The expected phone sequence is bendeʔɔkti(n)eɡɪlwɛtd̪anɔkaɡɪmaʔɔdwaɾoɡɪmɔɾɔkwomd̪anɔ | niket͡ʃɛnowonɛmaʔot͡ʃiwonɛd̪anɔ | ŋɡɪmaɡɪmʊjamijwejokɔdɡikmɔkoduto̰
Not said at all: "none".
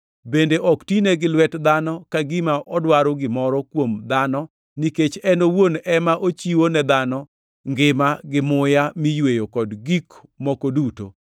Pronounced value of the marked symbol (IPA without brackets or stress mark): n